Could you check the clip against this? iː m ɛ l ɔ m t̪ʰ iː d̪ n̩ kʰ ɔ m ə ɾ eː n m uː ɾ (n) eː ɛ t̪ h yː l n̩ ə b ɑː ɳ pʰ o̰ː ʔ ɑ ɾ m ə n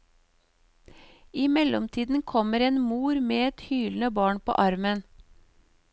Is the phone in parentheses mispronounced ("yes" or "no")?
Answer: yes